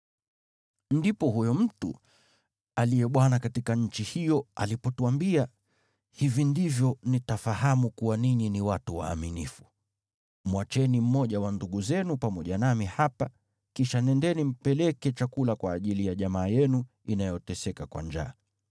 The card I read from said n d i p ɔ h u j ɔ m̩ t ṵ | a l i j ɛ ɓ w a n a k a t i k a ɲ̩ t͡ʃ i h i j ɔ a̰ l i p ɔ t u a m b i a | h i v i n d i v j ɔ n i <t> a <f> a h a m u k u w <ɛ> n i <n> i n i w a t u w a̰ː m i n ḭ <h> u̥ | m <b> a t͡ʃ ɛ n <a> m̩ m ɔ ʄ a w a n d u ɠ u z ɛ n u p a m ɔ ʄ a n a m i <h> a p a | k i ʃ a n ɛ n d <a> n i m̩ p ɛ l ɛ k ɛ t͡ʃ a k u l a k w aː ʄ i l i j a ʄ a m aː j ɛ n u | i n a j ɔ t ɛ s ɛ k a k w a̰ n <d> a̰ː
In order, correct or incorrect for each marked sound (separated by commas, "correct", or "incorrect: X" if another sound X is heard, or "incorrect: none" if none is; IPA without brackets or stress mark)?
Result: correct, correct, incorrect: a, incorrect: ɲ, incorrect: f, incorrect: w, incorrect: i, correct, incorrect: ɛ, incorrect: d͡ʒ